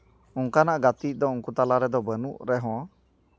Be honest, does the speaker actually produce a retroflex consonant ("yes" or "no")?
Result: no